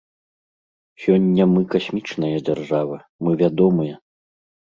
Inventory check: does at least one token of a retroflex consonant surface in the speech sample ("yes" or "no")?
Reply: yes